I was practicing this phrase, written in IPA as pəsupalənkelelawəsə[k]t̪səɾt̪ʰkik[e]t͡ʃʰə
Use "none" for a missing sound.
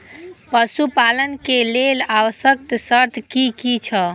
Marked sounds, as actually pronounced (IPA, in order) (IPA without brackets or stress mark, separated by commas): k, i